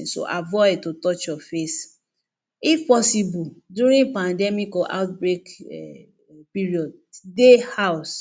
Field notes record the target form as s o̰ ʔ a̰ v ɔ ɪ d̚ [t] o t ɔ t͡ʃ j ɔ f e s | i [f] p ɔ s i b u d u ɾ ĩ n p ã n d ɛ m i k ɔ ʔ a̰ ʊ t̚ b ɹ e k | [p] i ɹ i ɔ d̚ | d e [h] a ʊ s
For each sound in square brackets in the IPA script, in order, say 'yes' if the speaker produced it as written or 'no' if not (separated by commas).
yes, yes, yes, yes